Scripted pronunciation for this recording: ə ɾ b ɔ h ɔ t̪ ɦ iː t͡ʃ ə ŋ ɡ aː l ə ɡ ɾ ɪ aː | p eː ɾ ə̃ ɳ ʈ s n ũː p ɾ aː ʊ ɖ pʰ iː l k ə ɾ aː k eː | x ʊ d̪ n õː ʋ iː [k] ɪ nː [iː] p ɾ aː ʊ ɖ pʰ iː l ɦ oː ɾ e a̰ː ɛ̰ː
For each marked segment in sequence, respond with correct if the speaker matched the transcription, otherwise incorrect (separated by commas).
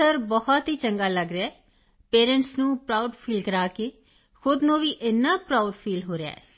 incorrect, incorrect